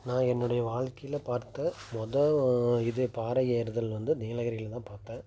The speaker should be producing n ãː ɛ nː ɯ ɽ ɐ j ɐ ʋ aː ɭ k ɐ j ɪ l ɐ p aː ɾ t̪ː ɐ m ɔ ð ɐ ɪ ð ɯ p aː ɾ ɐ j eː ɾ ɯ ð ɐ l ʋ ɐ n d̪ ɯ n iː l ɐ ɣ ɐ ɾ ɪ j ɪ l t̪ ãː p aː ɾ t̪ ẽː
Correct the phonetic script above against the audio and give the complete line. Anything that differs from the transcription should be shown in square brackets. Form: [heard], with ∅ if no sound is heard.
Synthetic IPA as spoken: n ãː ɛ nː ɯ ɽ ɐ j ɐ ʋ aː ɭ k ɐ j ɪ l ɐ p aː ɾ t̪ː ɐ m ɔ ð ɐ ɪ ð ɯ p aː ɾ ɐ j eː ɾ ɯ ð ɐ l ʋ ɐ n d̪ ɯ n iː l ɐ ɣ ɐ ɾ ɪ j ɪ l t̪ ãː p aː ɾ t̪ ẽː